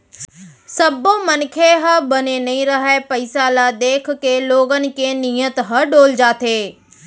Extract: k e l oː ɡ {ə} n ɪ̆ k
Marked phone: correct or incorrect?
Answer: correct